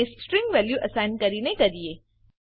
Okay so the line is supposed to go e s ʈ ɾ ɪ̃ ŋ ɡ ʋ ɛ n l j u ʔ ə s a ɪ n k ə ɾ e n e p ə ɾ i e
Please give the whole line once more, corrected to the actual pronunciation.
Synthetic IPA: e s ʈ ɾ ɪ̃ ŋ ɡ ʋ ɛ l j u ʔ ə s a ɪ n k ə ɾ i n e k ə ɾ i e

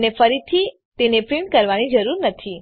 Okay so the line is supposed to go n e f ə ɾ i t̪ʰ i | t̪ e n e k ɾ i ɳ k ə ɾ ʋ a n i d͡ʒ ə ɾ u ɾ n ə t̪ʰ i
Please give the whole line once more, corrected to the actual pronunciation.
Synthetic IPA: n e f ə ɾ i t̪ʰ i | t̪ e n e p ɾ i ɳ k ə ɾ ʋ a n i d͡ʒ ə ɾ u ɾ n ə t̪ʰ i

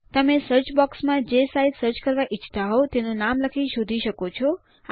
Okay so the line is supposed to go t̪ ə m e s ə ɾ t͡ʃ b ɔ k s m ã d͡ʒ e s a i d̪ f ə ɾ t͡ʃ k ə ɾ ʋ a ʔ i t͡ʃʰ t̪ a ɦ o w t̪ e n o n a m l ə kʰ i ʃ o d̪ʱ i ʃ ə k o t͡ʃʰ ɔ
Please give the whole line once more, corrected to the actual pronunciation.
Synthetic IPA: t̪ ə m e s ə ɾ t͡ʃ b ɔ k s m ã d͡ʒ e s a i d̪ s ə ɾ t͡ʃ k ə ɾ ʋ a ʔ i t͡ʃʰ t̪ a ɦ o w t̪ e n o n a m l ə kʰ i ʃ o d̪ʱ i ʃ ə k o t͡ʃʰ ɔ

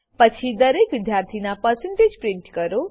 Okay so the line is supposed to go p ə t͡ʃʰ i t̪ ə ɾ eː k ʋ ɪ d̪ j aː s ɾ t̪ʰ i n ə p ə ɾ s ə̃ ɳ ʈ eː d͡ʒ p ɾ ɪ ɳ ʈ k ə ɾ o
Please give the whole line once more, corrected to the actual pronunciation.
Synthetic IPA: p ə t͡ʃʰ i d̪ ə ɾ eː k ʋ ɪ d̪ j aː ɾ t̪ʰ i n a p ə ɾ s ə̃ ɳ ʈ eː d͡ʒ p ɾ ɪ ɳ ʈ k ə ɾ o

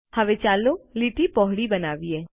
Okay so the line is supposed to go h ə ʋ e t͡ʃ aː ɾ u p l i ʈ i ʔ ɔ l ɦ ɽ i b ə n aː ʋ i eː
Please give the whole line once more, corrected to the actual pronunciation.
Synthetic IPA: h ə ʋ e t͡ʃ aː l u l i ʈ i p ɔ ɦ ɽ i b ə n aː ʋ i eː

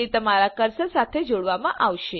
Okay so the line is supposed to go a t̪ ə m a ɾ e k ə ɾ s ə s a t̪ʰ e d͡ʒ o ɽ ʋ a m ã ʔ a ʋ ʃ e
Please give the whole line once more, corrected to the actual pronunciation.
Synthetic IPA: i t̪ ə m a ɾ a k ə ɾ s ə s a t̪ʰ e d͡ʒ o ɽ ʋ a m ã ʔ a ʋ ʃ e

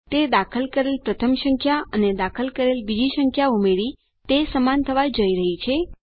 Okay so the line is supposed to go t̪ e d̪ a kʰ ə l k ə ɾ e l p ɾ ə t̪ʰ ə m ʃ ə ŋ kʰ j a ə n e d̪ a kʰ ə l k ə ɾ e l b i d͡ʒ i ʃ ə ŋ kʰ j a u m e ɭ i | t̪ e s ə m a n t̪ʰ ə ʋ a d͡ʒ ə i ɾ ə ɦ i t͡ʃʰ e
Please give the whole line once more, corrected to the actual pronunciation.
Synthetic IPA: t̪ e d̪ a kʰ ə l k ə ɾ e l p ɾ ə t̪ʰ ə m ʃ ə ŋ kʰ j a ə n e d̪ a kʰ ə l k ə ɾ e l b i d͡ʒ i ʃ ə ŋ kʰ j a u m e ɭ i | t̪ e s ə m a n t̪ʰ ə ʋ a d͡ʒ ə i ɾ ə ɦ i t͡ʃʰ e

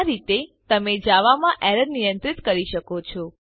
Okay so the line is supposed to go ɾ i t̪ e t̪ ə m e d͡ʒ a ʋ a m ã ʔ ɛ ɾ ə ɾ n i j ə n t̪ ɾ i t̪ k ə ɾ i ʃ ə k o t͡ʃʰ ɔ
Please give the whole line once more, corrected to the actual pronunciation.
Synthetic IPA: ɾ i t̪ e t̪ ə m e d͡ʒ a ʋ a m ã ʔ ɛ ɾ ə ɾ n i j ə n t̪ ɾ i t̪ k ə ɾ i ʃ ə k o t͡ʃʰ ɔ

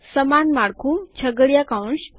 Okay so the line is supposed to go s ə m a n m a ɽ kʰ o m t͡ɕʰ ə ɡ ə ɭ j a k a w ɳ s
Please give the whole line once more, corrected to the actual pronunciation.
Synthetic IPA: s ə m a n m a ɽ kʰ u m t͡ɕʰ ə ɡ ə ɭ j a k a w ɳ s

